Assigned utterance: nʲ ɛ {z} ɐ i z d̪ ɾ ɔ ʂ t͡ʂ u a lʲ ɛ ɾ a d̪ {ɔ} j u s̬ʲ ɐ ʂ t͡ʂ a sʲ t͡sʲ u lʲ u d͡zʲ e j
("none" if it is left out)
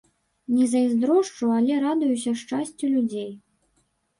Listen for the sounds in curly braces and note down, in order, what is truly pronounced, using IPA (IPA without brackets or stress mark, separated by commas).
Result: z, u